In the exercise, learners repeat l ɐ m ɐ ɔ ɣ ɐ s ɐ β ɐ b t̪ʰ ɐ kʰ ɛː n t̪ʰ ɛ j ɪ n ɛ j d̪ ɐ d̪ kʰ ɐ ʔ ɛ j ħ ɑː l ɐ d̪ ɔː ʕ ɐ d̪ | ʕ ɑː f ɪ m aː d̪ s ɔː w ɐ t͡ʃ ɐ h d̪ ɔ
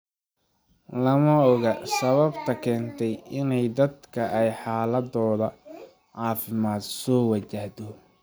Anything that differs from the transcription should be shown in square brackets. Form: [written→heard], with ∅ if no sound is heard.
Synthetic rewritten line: l ɐ m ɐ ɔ ɣ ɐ s ɐ β ɐ b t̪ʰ ɐ kʰ ɛː n t̪ʰ ɛ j ɪ n ɛ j d̪ ɐ d̪ kʰ ɐ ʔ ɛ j ħ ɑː l ɐ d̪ ɔː [ʕ→ð] ɐ [d̪→∅] | ʕ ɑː f ɪ m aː d̪ s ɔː w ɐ t͡ʃ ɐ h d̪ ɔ